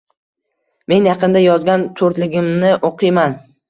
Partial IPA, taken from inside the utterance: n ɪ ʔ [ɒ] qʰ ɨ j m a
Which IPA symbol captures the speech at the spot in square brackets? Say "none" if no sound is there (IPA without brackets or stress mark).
o